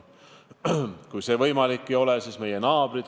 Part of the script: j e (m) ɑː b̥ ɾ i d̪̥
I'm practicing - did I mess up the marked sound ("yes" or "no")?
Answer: yes